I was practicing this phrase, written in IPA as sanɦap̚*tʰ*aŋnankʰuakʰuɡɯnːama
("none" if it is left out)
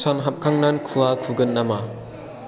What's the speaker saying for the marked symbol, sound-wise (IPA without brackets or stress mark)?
kʰ